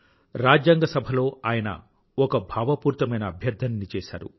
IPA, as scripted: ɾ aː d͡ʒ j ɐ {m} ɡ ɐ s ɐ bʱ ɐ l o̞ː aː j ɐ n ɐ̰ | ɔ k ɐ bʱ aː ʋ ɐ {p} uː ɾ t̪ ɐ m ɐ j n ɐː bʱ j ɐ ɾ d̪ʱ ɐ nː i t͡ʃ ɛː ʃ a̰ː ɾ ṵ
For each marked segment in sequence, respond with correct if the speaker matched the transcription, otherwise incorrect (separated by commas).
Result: incorrect, correct